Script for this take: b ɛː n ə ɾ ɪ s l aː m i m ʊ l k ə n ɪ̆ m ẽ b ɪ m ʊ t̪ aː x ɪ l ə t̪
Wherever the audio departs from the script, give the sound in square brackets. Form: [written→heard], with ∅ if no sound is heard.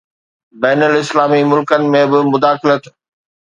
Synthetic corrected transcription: b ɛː n ə [ɾ→l] ɪ s l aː m i m ʊ l k ə n ɪ̆ m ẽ b ɪ m ʊ [t̪→d̪] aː x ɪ l ə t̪